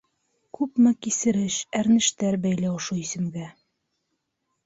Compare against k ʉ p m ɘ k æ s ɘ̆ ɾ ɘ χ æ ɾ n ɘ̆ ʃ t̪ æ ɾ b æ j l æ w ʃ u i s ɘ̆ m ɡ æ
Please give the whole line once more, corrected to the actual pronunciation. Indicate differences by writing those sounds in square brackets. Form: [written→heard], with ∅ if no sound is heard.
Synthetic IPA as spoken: k ʉ p m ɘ k [æ→i] s ɘ̆ ɾ ɘ [χ→ʃ] æ ɾ n ɘ̆ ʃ t̪ æ ɾ b æ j l æ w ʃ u i s ɘ̆ m ɡ æ